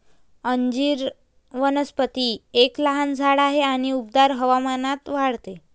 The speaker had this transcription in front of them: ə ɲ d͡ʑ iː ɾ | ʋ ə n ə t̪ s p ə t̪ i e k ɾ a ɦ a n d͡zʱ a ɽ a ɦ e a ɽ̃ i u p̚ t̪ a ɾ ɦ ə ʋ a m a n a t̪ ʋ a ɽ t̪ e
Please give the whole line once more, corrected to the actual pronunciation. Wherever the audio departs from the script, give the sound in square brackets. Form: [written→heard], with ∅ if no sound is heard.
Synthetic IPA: ə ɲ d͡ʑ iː ɾ | ʋ ə n ə [t̪→∅] s p ə t̪ i e k [ɾ→l] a ɦ a n d͡zʱ a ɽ a ɦ e a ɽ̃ i u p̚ [t̪→d̪] a ɾ ɦ ə ʋ a m a n a t̪ ʋ a ɽ t̪ e